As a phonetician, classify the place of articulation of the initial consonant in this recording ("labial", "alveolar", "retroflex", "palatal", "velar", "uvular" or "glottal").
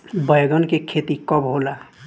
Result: labial